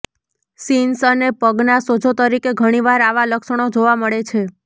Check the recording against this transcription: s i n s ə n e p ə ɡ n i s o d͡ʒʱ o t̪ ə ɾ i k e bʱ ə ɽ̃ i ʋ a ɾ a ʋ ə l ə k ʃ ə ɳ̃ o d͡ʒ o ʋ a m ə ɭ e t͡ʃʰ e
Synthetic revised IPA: s i n s ə n e p ə ɡ n a s o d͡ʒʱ o t̪ ə ɾ i k e ɡʱ ə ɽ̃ i ʋ a ɾ a ʋ a l ə k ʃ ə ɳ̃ o d͡ʒ o ʋ a m ə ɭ e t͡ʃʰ e